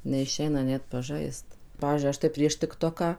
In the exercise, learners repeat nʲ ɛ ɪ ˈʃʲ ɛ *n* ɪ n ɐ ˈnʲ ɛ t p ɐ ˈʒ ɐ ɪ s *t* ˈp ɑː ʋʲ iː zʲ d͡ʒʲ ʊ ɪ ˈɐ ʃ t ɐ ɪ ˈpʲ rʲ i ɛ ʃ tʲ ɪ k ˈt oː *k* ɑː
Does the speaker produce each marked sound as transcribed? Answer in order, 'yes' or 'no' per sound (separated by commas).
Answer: no, yes, yes